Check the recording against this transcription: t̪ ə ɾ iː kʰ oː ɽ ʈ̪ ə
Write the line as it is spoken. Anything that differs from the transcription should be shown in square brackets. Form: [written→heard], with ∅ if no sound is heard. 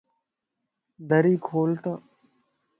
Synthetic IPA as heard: [t̪→d̪] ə ɾ iː kʰ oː [ɽ→l] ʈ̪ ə